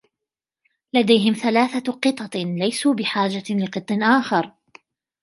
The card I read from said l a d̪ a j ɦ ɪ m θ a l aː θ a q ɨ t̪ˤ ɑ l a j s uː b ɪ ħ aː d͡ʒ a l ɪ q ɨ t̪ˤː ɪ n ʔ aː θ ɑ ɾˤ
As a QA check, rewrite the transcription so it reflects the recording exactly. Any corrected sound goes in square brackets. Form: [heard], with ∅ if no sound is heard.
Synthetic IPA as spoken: l a d̪ a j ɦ ɪ m θ a l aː θ a q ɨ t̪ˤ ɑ l a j s uː b ɪ ħ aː d͡ʒ a l ɪ q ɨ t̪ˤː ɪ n ʔ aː [x] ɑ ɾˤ